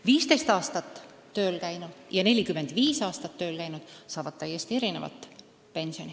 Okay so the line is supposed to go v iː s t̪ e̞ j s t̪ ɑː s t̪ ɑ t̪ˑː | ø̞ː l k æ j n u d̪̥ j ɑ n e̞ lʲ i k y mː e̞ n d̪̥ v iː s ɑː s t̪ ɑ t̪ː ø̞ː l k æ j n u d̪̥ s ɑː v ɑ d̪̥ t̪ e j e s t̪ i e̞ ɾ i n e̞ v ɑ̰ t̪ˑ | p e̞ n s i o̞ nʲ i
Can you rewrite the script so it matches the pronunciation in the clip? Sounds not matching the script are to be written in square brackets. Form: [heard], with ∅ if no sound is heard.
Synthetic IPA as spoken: v iː s t̪ e̞ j s t̪ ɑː s t̪ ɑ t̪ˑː | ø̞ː l k æ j n u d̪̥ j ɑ n e̞ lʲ i k y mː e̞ n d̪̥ v iː s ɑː s t̪ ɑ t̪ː ø̞ː l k æ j n u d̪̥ s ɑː v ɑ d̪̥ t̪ [æ] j e s t̪ i e̞ ɾ i n e̞ v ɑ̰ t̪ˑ | p e̞ n s i o̞ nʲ i